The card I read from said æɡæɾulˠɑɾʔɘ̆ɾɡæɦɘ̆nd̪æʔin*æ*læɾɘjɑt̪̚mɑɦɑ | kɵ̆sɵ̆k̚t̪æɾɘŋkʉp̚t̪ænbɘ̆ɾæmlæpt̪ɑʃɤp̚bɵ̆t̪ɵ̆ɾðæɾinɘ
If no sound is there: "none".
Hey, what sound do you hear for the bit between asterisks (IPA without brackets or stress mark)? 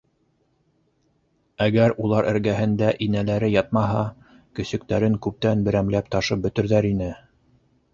æ